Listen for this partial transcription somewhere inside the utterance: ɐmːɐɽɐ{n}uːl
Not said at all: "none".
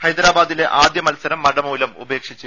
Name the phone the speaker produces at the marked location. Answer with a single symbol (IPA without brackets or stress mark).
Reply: m